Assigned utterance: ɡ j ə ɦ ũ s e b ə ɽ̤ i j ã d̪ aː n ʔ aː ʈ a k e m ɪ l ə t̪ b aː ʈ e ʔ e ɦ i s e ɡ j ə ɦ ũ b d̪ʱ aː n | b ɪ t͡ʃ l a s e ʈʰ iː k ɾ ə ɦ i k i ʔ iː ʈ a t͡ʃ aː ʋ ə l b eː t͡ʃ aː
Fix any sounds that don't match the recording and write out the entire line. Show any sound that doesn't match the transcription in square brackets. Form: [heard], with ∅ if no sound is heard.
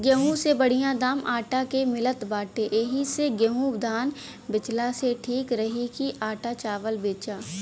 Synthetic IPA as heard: ɡ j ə ɦ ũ s e b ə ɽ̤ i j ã d̪ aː [m] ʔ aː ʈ a k e m ɪ l ə t̪ b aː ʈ e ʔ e ɦ i s e ɡ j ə ɦ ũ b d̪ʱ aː n | b ɪ t͡ʃ l a s e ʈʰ iː k ɾ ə ɦ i k i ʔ [aː] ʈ a t͡ʃ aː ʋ ə l b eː t͡ʃ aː